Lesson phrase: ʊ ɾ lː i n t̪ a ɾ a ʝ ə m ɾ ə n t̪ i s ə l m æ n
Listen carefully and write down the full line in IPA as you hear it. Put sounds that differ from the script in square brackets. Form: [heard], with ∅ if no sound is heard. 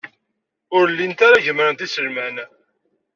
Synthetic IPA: ʊ ɾ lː i n t̪ a ɾ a ʝ ə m ɾ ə n t̪ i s ə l m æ n

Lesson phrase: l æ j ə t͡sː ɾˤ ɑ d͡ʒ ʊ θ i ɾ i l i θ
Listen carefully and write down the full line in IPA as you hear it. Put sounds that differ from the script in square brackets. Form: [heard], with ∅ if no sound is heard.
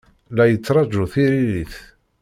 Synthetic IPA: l æ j ə t͡sː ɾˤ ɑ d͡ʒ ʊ θ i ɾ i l i θ

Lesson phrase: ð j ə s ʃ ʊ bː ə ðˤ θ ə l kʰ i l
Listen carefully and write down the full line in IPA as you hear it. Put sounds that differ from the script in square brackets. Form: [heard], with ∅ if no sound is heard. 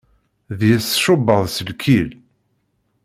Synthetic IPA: ð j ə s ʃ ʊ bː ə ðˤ [s] ə l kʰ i l

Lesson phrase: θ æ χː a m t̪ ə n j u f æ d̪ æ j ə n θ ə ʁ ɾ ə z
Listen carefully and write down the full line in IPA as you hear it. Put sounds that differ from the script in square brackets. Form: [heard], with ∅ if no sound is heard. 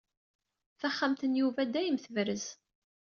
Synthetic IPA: θ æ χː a m t̪ ə n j u [v] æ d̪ æ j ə [m] θ ə [v] ɾ ə z

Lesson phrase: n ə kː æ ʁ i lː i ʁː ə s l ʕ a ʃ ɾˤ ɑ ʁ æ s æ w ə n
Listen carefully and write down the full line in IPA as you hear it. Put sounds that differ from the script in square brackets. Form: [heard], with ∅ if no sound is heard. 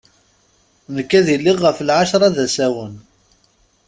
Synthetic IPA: n ə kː æ [ð] i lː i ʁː ə [f] l ʕ a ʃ ɾˤ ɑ [ð] æ s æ w ə n

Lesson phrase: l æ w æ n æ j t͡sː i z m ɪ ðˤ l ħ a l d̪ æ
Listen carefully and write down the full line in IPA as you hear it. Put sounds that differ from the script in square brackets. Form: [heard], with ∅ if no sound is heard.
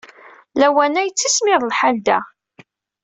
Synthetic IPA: l æ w æ n æ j t͡sː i [s] m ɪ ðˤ l ħ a l d̪ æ

